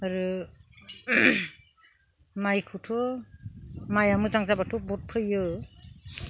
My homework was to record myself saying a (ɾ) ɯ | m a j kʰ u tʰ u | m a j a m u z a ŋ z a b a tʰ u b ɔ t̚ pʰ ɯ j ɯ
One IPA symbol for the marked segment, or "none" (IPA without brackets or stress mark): ɾ